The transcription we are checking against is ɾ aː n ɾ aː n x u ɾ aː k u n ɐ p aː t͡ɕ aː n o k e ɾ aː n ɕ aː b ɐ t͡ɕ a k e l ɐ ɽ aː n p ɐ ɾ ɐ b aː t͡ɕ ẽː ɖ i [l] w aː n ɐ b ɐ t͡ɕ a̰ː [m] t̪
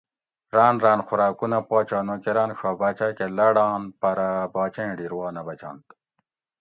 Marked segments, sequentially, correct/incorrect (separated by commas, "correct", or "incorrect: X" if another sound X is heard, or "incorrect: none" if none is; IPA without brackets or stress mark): incorrect: ɾ, incorrect: n